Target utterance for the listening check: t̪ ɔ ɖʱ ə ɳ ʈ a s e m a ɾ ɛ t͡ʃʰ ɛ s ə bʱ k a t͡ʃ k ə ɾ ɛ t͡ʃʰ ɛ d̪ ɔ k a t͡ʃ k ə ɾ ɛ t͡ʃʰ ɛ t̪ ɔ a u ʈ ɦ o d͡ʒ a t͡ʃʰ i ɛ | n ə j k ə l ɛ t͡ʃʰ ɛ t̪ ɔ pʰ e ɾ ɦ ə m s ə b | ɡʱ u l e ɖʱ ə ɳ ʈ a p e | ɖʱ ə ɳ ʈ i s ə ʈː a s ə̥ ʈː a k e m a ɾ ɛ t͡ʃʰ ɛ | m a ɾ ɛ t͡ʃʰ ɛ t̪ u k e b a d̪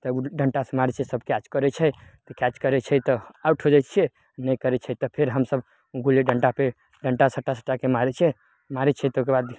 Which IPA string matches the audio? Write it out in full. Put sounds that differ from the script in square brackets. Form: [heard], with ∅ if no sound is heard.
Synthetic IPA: t̪ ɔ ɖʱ ə ɳ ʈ a s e m a ɾ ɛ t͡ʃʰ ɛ s ə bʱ k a t͡ʃ k ə ɾ ɛ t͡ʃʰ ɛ [t̪] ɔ k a t͡ʃ k ə ɾ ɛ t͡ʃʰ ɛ t̪ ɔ a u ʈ ɦ o d͡ʒ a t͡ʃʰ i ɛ | n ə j k ə [ɾ] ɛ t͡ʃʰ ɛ t̪ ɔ pʰ e ɾ ɦ ə m s ə b | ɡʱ u l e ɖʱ ə ɳ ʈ a p e | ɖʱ ə ɳ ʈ [a] s ə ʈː a s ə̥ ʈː a k e m a ɾ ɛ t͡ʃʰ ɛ | m a ɾ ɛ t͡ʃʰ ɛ t̪ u k e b a d̪